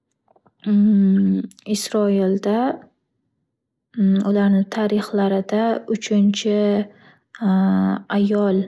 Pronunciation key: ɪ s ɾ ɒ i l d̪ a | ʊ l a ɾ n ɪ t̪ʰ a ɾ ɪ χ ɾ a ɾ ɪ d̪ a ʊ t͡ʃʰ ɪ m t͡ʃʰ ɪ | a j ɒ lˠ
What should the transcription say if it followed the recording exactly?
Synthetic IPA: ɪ s ɾ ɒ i l d̪ a | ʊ l a ɾ n ɪ t̪ʰ a ɾ ɪ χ l a ɾ ɪ d̪ a ʊ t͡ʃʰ ɪ n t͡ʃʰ ɪ | a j ɒ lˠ